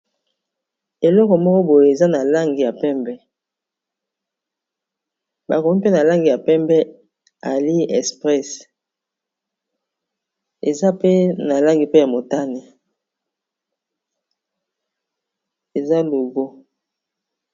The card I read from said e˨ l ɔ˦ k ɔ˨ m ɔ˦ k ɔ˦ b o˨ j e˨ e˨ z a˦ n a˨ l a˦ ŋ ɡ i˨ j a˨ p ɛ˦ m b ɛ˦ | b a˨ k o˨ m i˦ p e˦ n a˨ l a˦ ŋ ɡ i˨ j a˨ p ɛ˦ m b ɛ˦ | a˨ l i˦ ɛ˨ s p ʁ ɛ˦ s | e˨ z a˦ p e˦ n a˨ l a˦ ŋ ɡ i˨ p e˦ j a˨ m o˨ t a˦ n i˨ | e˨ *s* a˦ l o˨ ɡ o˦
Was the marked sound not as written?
yes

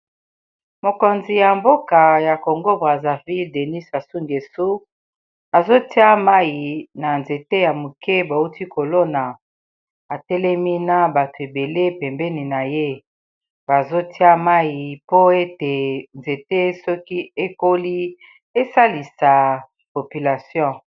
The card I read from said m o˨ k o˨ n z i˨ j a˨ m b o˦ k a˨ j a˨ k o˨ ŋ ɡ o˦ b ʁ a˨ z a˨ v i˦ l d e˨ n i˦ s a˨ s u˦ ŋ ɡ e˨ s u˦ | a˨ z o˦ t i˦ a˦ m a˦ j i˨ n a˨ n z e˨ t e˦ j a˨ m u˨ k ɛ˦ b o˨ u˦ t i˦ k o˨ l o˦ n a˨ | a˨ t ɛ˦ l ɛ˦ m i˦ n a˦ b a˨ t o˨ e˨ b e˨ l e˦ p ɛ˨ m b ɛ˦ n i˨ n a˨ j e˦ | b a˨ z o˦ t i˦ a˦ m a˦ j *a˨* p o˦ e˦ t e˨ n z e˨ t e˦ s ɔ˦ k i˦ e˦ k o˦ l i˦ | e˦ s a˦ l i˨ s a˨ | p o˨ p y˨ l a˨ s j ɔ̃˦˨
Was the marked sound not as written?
yes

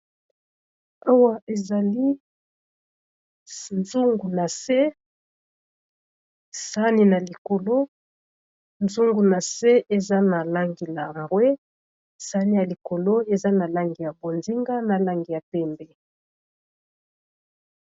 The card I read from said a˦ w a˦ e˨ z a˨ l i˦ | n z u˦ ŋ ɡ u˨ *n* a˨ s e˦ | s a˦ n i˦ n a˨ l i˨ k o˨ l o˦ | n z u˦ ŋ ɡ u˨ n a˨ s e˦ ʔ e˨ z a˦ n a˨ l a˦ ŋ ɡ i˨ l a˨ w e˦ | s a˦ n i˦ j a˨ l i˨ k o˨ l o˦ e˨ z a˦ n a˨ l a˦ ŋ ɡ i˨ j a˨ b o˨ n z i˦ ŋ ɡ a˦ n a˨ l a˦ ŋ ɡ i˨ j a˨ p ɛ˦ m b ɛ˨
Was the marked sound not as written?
no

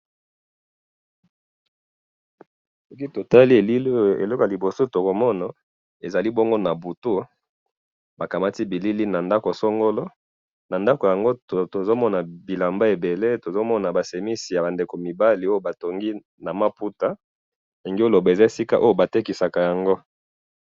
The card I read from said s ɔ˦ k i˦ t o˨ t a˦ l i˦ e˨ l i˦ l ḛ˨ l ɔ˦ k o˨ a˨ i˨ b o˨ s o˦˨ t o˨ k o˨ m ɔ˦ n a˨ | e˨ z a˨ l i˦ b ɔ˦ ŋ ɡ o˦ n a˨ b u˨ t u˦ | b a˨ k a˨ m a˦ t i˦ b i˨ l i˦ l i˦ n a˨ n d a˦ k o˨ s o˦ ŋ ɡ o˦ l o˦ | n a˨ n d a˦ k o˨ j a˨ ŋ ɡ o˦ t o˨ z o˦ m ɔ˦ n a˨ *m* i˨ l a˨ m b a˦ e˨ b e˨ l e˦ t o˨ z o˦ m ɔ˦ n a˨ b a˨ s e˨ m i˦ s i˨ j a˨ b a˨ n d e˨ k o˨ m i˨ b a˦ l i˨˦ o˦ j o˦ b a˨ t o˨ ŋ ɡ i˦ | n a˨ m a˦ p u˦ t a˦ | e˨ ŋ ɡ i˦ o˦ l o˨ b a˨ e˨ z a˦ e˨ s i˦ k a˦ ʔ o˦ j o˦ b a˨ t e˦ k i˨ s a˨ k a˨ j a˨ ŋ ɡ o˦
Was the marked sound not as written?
yes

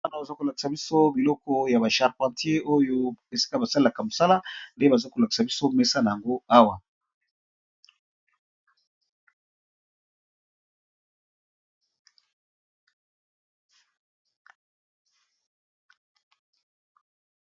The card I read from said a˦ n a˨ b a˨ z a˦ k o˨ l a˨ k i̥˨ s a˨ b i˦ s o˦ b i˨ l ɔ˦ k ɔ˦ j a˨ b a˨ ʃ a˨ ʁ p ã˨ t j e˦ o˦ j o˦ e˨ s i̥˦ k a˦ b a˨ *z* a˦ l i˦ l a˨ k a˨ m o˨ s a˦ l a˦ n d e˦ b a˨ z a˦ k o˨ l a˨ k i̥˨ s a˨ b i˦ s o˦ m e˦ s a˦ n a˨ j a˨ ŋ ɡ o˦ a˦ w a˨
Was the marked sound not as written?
yes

